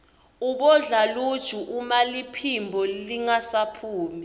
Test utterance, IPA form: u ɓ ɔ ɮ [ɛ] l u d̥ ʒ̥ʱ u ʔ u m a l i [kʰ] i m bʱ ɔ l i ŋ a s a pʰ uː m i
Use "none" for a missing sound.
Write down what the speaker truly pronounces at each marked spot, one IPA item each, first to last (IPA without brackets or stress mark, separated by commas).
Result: a, pʰ